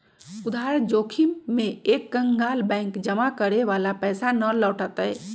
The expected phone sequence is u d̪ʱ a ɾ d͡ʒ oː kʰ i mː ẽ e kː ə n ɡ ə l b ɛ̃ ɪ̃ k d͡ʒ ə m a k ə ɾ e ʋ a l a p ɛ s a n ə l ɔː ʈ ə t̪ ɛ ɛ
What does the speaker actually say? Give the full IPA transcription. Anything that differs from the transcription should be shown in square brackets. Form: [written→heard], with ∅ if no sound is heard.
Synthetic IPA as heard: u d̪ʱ a ɾ d͡ʒ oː kʰ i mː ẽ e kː ə [n→ŋ] ɡ [ə→a] l b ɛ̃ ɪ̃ k d͡ʒ ə m a k ə ɾ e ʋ a l a p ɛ s a n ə l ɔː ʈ ə t̪ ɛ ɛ

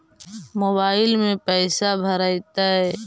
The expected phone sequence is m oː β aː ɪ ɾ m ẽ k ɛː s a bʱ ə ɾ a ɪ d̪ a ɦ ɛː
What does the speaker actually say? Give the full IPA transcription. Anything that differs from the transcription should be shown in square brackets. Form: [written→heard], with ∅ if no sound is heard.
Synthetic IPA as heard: m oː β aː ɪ [ɾ→l] m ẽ [k→p] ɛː s a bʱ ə ɾ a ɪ [d̪→t̪] a ɦ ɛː

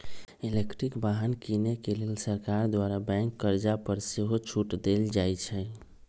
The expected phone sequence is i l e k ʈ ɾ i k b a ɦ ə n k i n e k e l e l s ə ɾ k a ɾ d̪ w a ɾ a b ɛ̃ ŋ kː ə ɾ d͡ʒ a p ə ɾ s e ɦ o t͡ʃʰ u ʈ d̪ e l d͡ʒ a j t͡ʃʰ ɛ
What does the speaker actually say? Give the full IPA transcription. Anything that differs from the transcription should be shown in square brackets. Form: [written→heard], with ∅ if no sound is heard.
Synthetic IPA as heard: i l e k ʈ ɾ i k b a ɦ ə n k i n e k e l e l s ə ɾ k a ɾ d̪ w a ɾ a b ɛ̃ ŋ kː ə ɾ d͡ʒ a p ə ɾ s e ɦ o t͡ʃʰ u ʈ d̪ e l d͡ʒ a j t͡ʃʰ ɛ

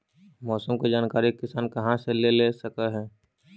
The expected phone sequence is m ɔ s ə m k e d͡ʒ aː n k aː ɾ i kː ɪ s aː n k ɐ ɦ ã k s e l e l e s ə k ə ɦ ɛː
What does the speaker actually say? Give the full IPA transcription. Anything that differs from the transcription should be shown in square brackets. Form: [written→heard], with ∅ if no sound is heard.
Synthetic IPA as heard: m [ɔ→ɔː] s ə m k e d͡ʒ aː n k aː ɾ i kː ɪ s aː n k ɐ ɦ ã [k→∅] s e l e l e s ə k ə ɦ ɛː

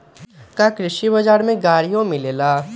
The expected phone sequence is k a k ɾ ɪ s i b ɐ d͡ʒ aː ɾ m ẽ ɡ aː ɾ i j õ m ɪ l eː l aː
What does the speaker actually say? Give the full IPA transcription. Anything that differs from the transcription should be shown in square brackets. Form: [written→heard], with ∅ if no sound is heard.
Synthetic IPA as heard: k a k ɾ ɪ [s→ʃ] i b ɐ d͡ʒ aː ɾ m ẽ ɡ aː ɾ i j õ m ɪ l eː l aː

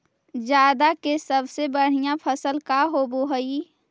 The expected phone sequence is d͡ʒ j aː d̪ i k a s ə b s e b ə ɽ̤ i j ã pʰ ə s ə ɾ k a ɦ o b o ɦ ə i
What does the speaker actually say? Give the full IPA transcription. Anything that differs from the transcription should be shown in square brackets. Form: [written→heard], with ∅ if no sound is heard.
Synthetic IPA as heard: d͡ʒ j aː d̪ [i→a] k [a→e] s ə b s e b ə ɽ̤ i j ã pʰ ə s ə [ɾ→l] k a ɦ o b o ɦ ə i

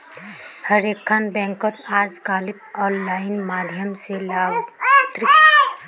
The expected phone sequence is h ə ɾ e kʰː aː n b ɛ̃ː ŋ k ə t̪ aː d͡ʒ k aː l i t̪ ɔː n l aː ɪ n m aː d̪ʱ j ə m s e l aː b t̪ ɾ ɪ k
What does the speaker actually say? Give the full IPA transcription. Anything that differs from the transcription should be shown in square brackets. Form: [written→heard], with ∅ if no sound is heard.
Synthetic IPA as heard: h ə ɾ e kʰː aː n b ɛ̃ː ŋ k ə t̪ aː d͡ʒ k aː l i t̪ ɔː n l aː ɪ n m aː d̪ʱ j ə m s e l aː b t̪ ɾ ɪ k

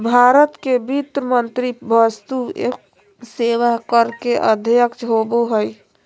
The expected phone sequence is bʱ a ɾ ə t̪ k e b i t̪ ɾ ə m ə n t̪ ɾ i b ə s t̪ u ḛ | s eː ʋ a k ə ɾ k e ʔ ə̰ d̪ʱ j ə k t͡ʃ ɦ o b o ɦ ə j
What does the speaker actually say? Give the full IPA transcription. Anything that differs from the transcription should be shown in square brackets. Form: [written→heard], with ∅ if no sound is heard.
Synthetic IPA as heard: bʱ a ɾ ə t̪ k e b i t̪ ɾ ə m ə n t̪ ɾ i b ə s t̪ u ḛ | s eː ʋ a k ə ɾ k e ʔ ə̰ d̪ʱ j ə k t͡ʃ ɦ o b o ɦ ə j

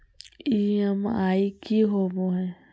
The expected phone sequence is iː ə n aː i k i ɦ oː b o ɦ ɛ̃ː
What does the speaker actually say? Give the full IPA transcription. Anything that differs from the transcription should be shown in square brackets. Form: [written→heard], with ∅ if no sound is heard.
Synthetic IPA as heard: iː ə [n→m] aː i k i ɦ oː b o ɦ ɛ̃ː

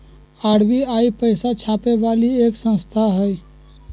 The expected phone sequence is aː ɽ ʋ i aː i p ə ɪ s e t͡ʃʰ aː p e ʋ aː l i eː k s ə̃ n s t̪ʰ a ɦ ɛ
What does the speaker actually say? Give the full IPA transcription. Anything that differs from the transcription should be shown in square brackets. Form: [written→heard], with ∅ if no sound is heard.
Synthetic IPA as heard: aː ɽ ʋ i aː i p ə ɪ s [e→a] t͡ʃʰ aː p e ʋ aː l i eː k s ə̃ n s t̪ʰ a ɦ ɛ

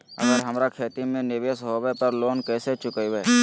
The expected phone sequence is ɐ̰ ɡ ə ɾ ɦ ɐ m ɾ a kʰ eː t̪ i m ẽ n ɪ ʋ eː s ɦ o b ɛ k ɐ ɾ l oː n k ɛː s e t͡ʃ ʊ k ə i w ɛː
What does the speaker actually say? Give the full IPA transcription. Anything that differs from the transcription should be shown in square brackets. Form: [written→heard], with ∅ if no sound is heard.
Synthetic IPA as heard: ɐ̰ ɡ ə ɾ ɦ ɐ m ɾ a kʰ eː t̪ i m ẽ n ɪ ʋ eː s ɦ o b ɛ [k→p] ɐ ɾ l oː n k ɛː s e t͡ʃ ʊ k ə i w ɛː

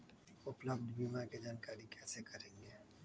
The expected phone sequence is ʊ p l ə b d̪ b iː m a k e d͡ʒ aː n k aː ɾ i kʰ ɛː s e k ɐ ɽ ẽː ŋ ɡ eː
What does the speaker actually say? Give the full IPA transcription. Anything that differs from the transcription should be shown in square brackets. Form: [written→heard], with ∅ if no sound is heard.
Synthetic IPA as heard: ʊ p l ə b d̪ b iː m a k e d͡ʒ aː n k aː ɾ i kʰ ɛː s e k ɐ [ɽ→ɾ] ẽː ŋ ɡ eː

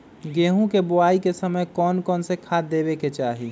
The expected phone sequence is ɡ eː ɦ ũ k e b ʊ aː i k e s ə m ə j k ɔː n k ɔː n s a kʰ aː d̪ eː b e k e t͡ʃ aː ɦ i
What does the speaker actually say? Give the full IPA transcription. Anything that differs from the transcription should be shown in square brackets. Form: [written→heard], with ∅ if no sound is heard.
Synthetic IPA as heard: ɡ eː ɦ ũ k e b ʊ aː i k e s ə m ə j k ɔː n k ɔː n s [a→e] kʰ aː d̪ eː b e k e t͡ʃ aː ɦ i

